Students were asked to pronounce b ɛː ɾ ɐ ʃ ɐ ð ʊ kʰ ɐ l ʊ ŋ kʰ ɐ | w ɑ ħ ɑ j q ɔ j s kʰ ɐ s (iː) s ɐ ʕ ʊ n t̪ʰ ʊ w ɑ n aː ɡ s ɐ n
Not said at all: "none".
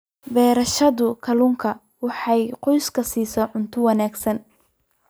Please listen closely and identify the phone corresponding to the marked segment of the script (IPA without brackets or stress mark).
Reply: iː